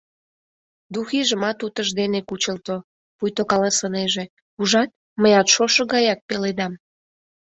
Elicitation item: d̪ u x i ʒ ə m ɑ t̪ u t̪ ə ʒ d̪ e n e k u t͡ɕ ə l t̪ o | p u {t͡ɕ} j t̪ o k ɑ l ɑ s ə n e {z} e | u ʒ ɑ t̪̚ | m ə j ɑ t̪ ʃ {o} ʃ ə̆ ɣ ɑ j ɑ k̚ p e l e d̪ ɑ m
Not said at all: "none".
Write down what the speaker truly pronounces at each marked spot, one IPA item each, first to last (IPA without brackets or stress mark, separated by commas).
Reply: none, ʒ, o